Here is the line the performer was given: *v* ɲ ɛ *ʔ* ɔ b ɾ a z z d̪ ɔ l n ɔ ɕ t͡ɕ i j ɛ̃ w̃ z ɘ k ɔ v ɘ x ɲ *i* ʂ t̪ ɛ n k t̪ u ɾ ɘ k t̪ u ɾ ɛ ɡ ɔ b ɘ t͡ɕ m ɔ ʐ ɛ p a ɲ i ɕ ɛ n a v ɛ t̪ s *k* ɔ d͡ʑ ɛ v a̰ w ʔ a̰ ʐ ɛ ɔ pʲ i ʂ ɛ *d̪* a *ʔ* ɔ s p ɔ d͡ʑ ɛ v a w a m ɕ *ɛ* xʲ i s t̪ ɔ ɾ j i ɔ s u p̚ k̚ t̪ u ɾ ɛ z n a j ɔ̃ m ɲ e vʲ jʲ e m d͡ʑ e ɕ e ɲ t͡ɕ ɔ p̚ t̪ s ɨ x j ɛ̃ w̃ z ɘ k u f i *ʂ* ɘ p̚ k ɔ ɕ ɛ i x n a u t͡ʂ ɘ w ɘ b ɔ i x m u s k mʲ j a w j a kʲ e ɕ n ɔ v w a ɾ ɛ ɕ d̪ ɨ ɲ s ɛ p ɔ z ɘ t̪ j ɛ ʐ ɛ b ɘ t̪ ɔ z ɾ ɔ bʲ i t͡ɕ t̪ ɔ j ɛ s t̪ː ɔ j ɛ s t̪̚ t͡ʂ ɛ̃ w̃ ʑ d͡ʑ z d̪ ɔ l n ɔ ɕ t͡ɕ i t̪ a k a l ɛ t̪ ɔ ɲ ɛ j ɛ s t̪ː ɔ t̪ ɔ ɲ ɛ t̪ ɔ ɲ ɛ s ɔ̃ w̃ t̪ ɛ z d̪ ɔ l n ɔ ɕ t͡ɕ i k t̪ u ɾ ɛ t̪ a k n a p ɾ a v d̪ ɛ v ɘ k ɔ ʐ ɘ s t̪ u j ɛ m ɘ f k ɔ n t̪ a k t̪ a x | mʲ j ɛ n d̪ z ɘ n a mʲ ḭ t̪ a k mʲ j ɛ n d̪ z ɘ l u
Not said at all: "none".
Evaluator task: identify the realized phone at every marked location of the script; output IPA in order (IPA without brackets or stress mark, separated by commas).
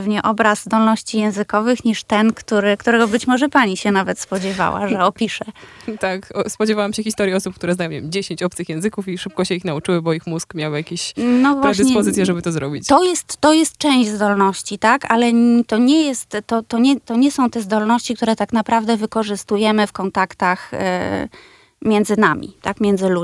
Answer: v, ʔ, i, p, t̪, k, ɛ, ʂ